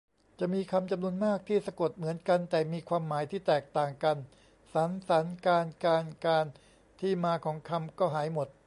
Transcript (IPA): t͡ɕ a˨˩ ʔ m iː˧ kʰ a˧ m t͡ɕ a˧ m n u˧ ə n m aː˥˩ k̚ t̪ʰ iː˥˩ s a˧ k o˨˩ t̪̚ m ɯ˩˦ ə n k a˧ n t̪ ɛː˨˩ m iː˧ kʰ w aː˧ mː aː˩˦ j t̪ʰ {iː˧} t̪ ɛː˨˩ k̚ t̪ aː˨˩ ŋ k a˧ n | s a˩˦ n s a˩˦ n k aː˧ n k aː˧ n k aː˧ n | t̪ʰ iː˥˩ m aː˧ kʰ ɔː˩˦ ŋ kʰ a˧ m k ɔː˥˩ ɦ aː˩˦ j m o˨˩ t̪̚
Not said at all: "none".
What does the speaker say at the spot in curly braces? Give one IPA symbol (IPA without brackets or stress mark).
iː˥˩